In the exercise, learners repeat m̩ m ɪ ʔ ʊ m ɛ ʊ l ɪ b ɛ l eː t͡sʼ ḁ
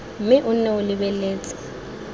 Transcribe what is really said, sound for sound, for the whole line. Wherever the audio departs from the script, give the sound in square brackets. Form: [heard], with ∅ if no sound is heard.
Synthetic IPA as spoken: m̩ m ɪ ʔ ʊ [n] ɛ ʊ l ɪ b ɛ l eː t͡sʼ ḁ